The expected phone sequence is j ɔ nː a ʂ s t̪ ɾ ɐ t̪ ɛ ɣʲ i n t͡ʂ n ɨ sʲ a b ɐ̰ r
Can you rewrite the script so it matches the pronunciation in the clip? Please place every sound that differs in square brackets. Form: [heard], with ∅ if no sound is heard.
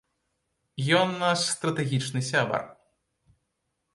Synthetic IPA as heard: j ɔ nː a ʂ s t̪ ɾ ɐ t̪ ɛ ɣʲ i [∅] t͡ʂ n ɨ sʲ a b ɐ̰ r